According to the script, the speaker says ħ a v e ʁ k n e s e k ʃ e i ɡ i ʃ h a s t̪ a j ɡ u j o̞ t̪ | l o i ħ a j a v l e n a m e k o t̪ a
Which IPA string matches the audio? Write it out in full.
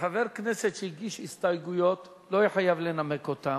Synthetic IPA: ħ a v e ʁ k n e s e t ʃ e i ɡ i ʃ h i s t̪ a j ɡ u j o̞ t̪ | l o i ħ a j a v l e n a m e k o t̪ a

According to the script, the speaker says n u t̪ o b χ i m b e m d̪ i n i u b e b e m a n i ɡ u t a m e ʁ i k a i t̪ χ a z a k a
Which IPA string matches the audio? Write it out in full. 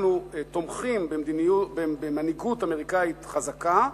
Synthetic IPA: n u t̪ o m χ i m b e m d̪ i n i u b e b e m a n i ɡ u t a m e ʁ i k a i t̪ χ a z a k a

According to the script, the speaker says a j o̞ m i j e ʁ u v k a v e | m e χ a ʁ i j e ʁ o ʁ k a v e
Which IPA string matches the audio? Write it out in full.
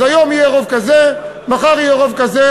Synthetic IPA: a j o̞ m i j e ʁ o v k a z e | m a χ a ʁ i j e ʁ o v k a z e

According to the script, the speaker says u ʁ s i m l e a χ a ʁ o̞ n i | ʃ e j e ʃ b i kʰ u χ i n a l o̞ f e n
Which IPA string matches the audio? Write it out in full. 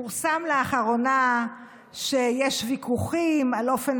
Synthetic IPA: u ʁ s a m l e a χ a ʁ o̞ n a | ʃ e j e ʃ v i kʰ u χ i m a l o̞ f e n

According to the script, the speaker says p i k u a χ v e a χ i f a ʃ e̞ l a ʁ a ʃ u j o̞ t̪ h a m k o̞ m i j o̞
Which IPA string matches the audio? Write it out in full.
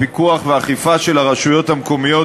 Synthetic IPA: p i k u a χ v e a χ i f a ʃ e̞ l a ʁ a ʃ u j o̞ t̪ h a m k o̞ m i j o̞

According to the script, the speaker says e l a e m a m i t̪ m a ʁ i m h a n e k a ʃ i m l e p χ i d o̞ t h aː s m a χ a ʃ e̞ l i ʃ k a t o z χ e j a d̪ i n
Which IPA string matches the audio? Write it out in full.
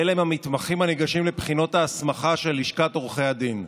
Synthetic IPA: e l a e m a m i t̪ m a χ i m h a n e ɡ a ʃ i m l e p χ i n o̞ t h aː s m a χ a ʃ e̞ l i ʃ k a t o ʁ χ e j a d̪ i n

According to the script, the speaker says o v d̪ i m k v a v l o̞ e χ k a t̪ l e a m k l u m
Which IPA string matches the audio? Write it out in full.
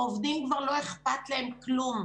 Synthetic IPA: o v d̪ i m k v a ʁ l o̞ e χ p a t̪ l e e m k l u m

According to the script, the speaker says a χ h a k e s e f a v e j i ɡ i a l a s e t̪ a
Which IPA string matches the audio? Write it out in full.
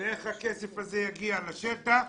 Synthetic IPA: e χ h a k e s e f a z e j a ɡ i a l a ʃ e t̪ a

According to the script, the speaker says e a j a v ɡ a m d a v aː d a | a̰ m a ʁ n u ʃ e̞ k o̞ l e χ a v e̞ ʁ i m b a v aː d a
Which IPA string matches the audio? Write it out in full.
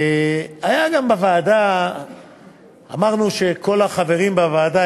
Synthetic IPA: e a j a ɡ a m b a v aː d a | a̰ m a ʁ n u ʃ e̞ k o̞ l a χ a v e̞ ʁ i m b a v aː d a

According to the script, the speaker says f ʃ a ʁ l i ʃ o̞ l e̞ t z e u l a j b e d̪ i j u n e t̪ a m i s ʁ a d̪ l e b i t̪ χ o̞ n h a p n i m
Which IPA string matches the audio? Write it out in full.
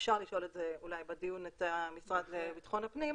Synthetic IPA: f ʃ a ʁ l i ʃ o̞ l e̞ t z e u l a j b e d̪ i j u n e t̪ a m i s ʁ a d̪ l e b i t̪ χ o̞ n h a p n i m

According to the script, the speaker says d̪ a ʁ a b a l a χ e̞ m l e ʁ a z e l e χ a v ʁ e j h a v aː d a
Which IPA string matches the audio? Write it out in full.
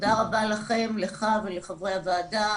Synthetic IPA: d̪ a ʁ a b a l a χ e̞ m l e χ a v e l e χ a v ʁ e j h a v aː d a

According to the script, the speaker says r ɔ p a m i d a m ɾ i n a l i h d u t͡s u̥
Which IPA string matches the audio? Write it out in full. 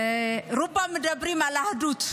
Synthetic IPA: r u p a m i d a b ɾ i m a l a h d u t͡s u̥

